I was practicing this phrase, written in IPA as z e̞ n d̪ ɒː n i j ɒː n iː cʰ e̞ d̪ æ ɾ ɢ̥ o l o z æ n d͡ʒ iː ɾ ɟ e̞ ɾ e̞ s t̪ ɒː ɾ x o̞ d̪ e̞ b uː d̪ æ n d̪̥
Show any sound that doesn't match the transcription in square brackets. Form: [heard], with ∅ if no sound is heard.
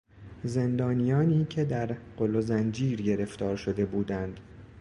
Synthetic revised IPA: z e̞ n d̪ ɒː n i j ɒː n iː cʰ e̞ d̪ æ ɾ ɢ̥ o l o z æ n d͡ʒ iː ɾ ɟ e̞ ɾ e̞ [f] t̪ ɒː ɾ [ʃ] o̞ d̪ e̞ b uː d̪ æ n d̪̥